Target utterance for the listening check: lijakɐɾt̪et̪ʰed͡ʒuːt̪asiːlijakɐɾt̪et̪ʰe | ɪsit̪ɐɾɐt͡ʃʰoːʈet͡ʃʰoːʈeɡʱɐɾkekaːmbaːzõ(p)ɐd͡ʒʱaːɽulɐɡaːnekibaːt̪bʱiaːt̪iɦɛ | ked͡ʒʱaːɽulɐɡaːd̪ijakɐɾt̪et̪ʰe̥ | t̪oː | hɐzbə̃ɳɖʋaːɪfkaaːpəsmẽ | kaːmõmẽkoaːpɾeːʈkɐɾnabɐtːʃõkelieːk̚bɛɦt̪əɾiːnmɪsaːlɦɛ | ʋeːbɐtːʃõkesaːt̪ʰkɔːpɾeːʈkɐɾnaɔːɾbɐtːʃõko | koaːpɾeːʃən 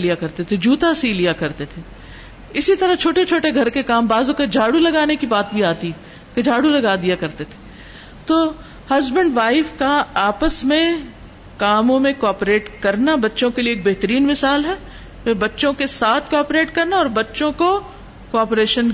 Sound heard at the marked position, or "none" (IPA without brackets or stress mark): k